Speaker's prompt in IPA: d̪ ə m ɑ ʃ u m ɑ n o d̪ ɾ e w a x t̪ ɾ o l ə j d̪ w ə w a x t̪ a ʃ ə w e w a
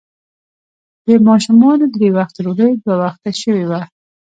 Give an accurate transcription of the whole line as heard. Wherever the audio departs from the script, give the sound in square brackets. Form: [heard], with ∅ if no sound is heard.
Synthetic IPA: d̪ ə m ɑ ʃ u m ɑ n o d̪ ɾ e w a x t̪ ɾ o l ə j d̪ w [a] w a x t̪ a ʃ ə w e w a

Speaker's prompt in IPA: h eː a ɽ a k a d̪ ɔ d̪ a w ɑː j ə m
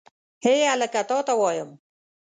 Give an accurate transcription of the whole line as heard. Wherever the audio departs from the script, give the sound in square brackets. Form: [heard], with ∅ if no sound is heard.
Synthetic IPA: h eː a [l] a k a [t̪] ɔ [t̪] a w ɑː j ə m

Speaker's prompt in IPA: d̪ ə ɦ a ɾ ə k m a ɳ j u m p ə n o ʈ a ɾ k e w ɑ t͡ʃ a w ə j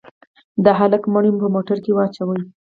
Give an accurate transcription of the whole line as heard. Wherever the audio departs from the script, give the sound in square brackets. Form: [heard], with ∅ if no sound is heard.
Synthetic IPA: d̪ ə ɦ a [l] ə k m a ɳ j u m p ə [m] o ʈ a ɾ k e w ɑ t͡ʃ a w ə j

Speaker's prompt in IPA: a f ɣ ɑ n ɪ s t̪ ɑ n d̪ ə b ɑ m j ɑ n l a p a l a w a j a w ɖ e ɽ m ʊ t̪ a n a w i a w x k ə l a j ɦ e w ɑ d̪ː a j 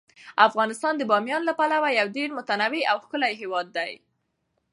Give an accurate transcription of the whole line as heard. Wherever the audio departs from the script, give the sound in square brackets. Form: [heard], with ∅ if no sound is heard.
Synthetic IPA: a f ɣ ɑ n ɪ s t̪ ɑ n d̪ ə b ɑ m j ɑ n l a p a l a w a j a w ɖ e ɽ m ʊ t̪ a n a w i a w x k ə l a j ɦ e w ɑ d̪ː a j

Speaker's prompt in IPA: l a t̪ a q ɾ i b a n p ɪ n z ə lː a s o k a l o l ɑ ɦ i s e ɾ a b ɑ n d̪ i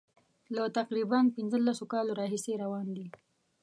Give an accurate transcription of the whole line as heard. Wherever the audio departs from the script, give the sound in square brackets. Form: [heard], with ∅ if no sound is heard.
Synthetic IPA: l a t̪ a q ɾ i b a n p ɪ n z ə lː a s o k [ɑ] l o [ɾ] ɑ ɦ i s e ɾ a [w] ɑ n d̪ i

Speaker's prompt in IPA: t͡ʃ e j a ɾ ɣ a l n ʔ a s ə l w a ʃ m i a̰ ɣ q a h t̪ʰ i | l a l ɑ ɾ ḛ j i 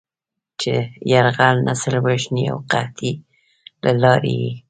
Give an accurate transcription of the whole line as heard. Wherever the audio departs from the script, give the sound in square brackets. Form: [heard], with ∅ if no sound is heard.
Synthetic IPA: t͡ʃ e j a ɾ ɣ a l n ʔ a s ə l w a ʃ [n] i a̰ [w] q a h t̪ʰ i | l a l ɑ ɾ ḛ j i

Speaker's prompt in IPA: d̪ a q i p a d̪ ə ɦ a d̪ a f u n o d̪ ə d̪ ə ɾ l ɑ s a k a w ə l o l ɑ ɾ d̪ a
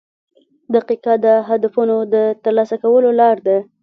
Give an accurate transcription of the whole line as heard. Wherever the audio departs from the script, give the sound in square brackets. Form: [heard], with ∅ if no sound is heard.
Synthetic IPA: d̪ a q i [q] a d̪ ə ɦ a d̪ a f u n o d̪ ə [t̪] ə ɾ l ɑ s a k a w ə l o l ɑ ɾ d̪ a

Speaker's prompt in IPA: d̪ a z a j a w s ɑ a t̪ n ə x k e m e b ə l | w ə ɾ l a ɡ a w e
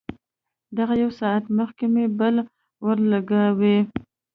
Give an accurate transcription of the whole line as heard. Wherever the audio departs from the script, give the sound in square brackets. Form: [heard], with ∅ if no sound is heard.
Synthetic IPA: d̪ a [ɣ] a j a w s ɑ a t̪ [m] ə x k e m e b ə l | w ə ɾ l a ɡ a w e

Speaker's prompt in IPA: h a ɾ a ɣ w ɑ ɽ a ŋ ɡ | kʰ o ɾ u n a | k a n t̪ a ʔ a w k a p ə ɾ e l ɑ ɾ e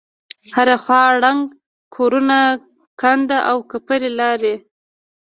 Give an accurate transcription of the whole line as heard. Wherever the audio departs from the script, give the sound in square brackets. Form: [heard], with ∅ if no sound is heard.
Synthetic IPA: h a ɾ a [x] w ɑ ɽ a ŋ ɡ | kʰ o ɾ u n a | k a n [d̪] a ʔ a w k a p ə ɾ e l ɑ ɾ e

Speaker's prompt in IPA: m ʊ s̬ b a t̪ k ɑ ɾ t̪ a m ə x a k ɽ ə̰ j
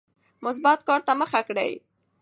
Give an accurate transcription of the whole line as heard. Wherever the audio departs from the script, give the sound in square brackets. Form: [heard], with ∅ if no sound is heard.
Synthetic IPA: m ʊ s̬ b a t̪ k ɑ ɾ t̪ a m ə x a k ɽ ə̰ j

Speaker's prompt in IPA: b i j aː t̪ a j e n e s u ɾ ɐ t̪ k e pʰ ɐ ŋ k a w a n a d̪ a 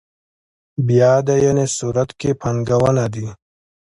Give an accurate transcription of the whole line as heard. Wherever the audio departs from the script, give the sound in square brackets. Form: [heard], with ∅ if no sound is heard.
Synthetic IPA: b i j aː [d̪] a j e n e s u ɾ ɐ t̪ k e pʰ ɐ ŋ [ɡ] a w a n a d̪ [i]

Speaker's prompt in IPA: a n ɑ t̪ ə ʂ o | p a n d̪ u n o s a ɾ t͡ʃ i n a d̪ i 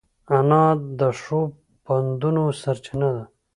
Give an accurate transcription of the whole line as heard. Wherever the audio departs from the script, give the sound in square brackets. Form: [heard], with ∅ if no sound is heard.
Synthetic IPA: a n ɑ [d̪] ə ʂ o | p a n d̪ u n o s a ɾ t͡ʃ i n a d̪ [a]

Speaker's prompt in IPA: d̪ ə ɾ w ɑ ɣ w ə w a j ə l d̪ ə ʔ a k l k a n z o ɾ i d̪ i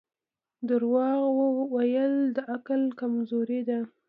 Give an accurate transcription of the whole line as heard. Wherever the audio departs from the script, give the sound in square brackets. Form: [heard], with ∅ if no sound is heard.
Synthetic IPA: d̪ ə ɾ w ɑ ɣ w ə w a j ə l d̪ ə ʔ a k l k a [m] z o ɾ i d̪ [a]

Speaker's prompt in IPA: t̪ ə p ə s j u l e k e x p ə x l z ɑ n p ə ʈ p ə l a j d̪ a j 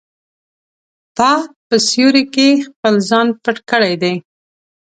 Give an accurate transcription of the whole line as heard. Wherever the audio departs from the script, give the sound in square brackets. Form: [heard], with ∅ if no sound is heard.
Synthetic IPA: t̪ [ɑ] p ə s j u [ɾ] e k e x p ə [∅] l z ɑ n p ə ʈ [k] ə [ɽ] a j d̪ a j

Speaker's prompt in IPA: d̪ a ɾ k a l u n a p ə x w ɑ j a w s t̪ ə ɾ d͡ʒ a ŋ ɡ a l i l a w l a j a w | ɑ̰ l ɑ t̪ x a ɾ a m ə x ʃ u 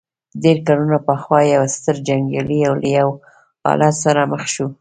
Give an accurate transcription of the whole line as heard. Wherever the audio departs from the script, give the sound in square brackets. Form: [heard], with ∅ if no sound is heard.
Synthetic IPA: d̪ [e] ɾ k a l u n a p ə x w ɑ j a w s t̪ ə ɾ d͡ʒ a ŋ ɡ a l i [∅] a w l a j a w | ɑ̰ l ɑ t̪ [s] a ɾ a m ə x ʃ u

